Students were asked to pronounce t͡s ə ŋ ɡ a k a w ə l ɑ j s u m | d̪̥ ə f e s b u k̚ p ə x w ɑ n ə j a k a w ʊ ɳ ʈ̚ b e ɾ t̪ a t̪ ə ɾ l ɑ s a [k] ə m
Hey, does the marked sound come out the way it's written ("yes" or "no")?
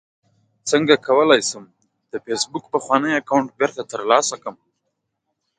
yes